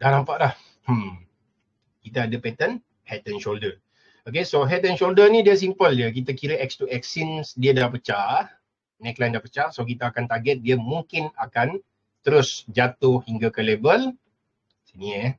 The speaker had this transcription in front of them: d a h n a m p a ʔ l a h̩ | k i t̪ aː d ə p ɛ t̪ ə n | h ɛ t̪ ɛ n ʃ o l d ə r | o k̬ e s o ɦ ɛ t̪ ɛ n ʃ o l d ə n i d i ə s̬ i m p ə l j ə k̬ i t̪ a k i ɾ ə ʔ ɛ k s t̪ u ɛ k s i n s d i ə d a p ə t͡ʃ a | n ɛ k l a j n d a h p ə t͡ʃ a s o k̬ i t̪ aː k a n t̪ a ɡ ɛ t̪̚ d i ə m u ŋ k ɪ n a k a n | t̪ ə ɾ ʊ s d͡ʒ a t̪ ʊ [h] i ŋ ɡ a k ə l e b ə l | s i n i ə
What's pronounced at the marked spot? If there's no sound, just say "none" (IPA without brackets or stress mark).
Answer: h